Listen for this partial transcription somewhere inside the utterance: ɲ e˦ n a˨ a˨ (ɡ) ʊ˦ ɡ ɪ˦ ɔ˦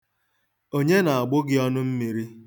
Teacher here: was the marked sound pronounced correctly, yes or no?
no